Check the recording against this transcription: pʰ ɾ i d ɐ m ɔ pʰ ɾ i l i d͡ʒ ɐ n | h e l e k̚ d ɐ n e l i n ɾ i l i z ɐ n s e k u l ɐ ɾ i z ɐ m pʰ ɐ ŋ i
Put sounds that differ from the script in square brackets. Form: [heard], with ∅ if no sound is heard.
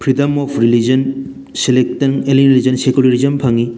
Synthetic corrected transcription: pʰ ɾ i d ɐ m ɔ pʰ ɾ i l i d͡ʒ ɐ n | [s] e l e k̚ [t] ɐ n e l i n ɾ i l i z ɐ n s e k u l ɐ ɾ i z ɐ m pʰ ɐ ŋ i